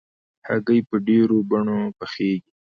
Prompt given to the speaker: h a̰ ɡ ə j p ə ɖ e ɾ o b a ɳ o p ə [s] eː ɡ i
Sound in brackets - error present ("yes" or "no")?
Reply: yes